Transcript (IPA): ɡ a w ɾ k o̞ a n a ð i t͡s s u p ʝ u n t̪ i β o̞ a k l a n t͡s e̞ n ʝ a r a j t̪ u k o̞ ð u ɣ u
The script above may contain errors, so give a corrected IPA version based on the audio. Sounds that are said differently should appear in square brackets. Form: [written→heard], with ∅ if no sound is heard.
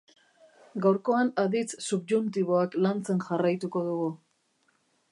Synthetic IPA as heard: ɡ a w ɾ k o̞ a n a ð i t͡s s u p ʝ u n t̪ i β o̞ a k l a n t͡s e̞ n ʝ a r a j t̪ u k o̞ ð u ɣ u